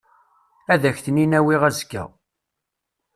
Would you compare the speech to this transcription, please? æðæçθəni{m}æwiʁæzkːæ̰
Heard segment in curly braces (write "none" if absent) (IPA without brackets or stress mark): n